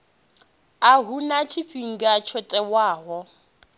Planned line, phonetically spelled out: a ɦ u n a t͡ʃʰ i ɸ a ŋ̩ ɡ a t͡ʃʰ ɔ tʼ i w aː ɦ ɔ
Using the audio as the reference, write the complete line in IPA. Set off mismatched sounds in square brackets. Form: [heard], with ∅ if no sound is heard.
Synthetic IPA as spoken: a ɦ u n a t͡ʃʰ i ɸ [i] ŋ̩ ɡ a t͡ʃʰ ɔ tʼ [ɛ] w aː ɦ ɔ

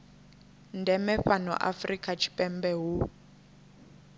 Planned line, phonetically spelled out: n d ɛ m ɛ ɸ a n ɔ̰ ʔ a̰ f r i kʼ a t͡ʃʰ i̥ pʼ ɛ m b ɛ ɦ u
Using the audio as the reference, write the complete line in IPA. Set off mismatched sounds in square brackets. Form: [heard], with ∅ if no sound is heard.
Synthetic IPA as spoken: n d ɛ m ɛ ɸ a n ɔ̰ ʔ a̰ f r i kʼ a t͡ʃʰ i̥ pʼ ɛ m b ɛ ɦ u

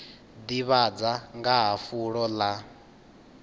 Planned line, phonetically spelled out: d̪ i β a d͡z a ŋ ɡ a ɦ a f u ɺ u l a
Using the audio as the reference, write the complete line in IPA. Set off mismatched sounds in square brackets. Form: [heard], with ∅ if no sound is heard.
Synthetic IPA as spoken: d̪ i β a d͡z a ŋ ɡ a ɦ a f u ɺ [ɔ] l a

